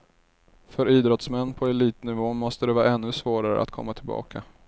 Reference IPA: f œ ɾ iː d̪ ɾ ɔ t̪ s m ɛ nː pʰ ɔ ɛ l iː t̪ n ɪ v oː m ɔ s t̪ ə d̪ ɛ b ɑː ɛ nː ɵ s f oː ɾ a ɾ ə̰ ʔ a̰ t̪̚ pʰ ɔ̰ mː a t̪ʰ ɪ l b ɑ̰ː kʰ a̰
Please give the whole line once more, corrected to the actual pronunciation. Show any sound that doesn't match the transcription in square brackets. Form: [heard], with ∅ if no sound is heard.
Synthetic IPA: f œ ɾ iː d̪ ɾ ɔ t̪ s m ɛ nː pʰ ɔ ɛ l iː t̪ n ɪ v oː m ɔ s t̪ ə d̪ ɛ [v] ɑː ɛ nː ɵ s [v] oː ɾ a ɾ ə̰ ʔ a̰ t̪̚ [kʰ] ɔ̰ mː a t̪ʰ ɪ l b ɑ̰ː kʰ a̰